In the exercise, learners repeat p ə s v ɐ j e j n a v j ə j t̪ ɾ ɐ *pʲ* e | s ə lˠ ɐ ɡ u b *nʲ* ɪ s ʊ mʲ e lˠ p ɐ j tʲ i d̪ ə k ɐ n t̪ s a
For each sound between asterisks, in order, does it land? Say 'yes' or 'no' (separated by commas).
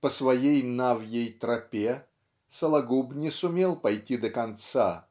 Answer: yes, yes